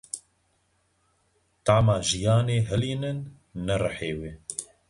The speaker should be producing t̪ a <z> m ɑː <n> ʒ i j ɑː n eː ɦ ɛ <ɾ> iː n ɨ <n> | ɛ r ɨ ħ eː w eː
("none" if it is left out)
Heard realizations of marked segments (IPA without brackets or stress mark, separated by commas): ʕ, none, l, nː